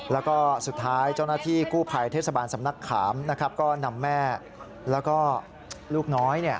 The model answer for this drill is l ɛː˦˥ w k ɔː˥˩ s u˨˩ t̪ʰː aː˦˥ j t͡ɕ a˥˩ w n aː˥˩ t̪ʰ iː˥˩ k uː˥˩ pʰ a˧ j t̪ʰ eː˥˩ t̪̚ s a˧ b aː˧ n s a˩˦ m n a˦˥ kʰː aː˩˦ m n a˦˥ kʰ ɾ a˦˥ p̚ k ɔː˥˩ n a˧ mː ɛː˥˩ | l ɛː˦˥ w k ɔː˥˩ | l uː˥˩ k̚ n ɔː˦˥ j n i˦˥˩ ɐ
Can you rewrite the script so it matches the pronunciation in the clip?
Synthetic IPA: l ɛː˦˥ w k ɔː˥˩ s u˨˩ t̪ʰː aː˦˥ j t͡ɕ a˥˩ w n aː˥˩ t̪ʰ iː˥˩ k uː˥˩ pʰ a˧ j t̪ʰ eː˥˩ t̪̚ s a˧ b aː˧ n s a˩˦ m n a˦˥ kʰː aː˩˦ m n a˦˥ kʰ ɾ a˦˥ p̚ k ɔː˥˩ n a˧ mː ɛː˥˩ | l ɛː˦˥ w k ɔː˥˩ | l uː˥˩ k̚ n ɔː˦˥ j n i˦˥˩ ɐ